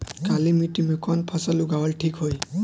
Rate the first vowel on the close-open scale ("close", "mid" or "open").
open